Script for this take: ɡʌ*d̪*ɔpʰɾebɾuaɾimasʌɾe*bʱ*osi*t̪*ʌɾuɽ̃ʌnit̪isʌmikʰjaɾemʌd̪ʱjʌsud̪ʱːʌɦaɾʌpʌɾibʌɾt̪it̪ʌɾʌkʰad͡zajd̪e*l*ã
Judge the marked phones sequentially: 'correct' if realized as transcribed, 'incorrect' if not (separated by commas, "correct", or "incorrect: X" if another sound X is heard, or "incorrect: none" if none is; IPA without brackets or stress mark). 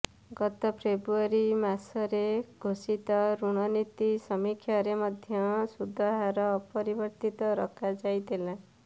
incorrect: t̪, incorrect: ɡʱ, correct, correct